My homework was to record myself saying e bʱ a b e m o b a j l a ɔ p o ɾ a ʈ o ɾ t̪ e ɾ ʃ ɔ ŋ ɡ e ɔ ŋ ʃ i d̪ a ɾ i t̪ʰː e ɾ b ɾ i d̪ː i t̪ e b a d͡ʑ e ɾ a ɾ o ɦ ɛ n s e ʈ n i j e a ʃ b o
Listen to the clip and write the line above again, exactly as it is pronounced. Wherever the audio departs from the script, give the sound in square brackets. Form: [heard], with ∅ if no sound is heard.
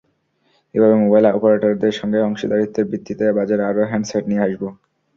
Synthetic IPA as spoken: e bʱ a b e m o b a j l a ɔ p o ɾ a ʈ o ɾ [d̪] e ɾ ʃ ɔ ŋ ɡ e ɔ ŋ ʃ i d̪ a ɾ i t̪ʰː e ɾ b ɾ i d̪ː i t̪ e b a d͡ʑ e ɾ a ɾ o ɦ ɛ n s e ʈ n i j e a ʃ b o